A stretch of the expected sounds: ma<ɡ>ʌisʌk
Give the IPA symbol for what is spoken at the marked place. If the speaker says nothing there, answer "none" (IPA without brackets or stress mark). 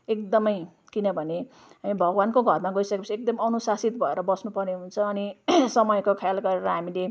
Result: ɡ